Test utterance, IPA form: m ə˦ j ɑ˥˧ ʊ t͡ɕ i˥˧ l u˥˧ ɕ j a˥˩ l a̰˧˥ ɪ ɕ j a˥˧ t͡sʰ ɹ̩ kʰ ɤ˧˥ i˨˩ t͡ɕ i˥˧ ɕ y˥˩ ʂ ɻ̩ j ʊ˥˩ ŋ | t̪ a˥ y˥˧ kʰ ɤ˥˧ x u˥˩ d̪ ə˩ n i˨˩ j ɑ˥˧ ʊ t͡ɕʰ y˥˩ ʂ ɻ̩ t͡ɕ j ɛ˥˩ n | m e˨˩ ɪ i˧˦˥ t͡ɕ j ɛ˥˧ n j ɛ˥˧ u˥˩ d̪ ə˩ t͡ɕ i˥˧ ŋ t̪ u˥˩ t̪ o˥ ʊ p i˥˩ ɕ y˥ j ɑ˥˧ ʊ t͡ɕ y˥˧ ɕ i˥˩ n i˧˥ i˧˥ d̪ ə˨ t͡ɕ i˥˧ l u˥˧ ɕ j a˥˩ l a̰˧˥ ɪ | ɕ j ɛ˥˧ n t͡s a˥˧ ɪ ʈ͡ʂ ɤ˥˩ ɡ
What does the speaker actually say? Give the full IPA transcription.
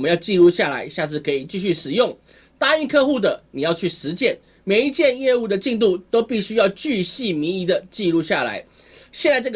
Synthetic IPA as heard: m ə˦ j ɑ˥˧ ʊ t͡ɕ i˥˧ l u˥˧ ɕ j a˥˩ l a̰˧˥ ɪ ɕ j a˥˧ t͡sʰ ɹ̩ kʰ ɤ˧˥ i˨˩ t͡ɕ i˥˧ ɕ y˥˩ ʂ ɻ̩ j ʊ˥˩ ŋ | t̪ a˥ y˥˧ kʰ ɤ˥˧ x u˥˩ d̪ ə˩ n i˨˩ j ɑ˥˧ ʊ t͡ɕʰ y˥˩ ʂ ɻ̩ t͡ɕ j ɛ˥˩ n | m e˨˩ ɪ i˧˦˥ t͡ɕ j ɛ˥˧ n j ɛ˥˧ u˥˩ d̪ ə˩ t͡ɕ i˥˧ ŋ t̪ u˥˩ t̪ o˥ ʊ p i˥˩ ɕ y˥ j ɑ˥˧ ʊ t͡ɕ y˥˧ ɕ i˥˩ m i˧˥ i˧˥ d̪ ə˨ t͡ɕ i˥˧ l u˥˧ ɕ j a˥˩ l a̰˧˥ ɪ | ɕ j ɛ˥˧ n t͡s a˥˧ ɪ ʈ͡ʂ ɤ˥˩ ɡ